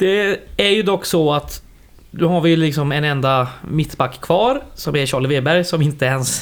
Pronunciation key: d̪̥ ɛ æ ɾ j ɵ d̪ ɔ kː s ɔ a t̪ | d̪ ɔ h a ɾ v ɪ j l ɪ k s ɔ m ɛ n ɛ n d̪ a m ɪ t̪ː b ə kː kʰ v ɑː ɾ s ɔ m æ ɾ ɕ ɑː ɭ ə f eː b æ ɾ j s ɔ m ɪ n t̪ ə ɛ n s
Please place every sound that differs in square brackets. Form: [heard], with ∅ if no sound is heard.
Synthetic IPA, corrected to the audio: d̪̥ ɛ æ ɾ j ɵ d̪ ɔ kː s ɔ a t̪ | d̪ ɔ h a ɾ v ɪ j l ɪ k s ɔ m ɛ n ɛ n d̪ a m ɪ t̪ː b [a] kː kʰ v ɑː ɾ s ɔ m æ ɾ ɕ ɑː ɭ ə [v] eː b æ ɾ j s ɔ m ɪ n t̪ ə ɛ n s